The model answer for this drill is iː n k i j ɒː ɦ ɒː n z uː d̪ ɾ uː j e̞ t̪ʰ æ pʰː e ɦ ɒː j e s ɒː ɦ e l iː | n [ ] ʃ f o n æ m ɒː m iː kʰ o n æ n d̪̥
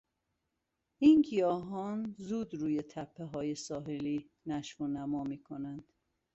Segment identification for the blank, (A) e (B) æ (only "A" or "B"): B